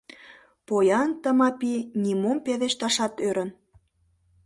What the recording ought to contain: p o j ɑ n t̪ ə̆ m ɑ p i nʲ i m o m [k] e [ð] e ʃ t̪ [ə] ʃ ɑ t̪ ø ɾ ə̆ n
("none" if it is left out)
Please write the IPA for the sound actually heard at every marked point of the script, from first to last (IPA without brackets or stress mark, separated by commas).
p, ð, ɑ